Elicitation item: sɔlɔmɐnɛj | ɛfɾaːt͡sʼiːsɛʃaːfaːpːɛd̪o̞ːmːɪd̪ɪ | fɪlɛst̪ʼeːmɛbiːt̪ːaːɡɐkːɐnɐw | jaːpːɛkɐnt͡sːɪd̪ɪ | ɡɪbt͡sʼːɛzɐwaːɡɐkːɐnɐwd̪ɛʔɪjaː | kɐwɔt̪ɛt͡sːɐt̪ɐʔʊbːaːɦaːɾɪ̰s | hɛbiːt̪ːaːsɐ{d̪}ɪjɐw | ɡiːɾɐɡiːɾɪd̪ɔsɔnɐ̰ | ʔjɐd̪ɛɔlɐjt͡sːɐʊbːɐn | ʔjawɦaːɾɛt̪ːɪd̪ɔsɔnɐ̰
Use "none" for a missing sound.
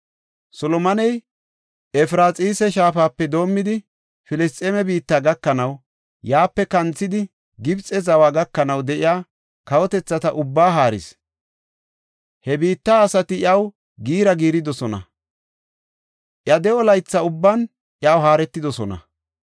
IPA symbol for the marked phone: t̪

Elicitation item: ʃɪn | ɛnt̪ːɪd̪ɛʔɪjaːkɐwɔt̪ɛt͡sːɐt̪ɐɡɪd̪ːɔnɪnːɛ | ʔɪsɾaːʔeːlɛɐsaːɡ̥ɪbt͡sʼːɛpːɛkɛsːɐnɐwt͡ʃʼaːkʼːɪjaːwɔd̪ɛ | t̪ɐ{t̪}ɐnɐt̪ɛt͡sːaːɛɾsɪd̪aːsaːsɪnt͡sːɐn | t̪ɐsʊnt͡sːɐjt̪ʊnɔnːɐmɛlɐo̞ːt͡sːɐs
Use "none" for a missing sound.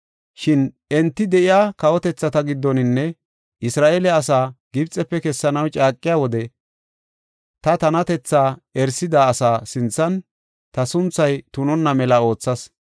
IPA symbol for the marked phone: t̪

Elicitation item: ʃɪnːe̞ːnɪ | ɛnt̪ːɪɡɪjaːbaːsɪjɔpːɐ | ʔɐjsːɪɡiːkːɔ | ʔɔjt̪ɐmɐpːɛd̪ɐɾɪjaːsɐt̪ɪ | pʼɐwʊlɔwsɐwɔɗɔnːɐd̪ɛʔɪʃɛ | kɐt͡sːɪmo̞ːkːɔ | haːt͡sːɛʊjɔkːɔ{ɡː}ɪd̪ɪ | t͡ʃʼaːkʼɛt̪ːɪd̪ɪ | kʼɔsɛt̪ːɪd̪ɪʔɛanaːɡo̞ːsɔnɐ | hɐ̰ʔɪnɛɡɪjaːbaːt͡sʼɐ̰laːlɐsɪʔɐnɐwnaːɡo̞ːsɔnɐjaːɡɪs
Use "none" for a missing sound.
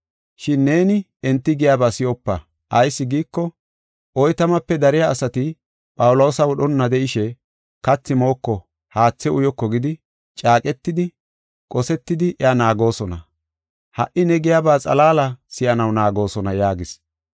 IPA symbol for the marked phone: ɡ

